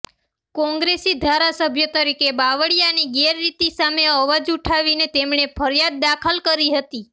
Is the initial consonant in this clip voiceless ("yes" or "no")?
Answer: yes